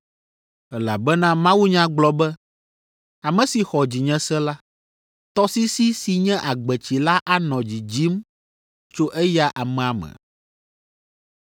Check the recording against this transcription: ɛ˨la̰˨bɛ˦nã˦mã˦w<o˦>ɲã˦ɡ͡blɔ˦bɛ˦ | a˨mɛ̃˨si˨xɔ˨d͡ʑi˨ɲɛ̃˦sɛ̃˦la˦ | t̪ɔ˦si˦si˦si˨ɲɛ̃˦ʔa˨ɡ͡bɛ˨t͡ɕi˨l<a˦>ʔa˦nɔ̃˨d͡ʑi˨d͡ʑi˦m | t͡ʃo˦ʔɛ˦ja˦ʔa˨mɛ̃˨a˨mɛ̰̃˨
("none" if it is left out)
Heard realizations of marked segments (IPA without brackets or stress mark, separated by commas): u˦, a˦